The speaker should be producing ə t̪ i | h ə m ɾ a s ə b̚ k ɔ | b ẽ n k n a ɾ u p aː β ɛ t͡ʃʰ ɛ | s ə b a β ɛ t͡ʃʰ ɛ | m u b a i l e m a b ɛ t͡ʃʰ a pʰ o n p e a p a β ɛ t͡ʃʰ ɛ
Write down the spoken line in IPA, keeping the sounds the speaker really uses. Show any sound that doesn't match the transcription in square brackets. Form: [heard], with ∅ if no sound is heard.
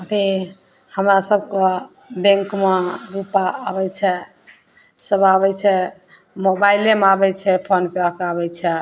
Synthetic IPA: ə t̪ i | h ə m ɾ a s ə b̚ k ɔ | b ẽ [ŋ] k [m] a ɾ u p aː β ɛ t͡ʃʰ ɛ | s ə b a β ɛ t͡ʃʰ ɛ | m [o] b a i l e m a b ɛ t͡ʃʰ [ɛ] pʰ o n p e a [k] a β ɛ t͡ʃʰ ɛ